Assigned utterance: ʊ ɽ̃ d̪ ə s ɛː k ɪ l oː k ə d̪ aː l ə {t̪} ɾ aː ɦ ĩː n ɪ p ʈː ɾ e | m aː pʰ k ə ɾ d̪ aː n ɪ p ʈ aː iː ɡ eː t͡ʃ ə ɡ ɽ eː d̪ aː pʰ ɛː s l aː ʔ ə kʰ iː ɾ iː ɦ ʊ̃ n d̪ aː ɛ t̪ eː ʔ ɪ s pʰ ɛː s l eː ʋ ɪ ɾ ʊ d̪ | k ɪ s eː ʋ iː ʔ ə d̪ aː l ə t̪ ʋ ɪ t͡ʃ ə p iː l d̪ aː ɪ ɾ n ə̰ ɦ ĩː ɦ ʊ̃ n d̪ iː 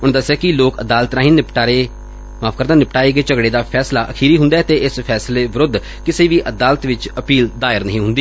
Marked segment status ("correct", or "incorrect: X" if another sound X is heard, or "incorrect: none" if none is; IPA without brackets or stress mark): correct